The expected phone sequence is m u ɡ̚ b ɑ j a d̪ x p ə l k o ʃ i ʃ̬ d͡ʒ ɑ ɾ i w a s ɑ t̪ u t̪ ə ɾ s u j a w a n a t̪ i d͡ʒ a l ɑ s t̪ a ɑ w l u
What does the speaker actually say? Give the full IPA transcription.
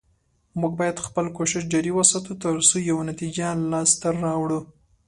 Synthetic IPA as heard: m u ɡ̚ b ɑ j a d̪ x p ə l k o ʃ ɪ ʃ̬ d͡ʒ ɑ ɾ i w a s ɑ t̪ u t̪ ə ɾ s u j a w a n a t̪ i d͡ʒ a l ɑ s t̪ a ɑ w ɽ u